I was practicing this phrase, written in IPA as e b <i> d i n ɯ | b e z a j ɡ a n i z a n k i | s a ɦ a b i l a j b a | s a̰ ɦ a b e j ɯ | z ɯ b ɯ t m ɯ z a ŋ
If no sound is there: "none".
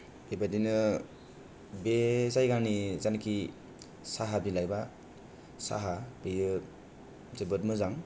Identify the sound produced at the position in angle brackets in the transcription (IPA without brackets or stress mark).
a